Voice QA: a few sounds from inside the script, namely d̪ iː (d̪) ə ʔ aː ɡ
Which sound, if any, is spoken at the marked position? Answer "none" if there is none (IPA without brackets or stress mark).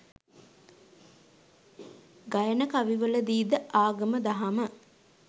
d̪